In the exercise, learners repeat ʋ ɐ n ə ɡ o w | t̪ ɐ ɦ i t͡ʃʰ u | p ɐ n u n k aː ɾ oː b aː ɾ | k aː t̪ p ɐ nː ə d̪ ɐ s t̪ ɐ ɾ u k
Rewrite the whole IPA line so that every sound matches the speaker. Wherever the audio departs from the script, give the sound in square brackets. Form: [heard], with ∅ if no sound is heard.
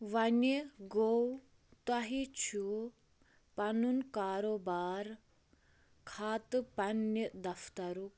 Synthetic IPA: ʋ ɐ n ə ɡ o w | t̪ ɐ ɦ i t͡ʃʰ u | p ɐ n u n k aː ɾ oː b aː ɾ | [kʰ] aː t̪ p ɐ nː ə d̪ ɐ [f] t̪ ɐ ɾ u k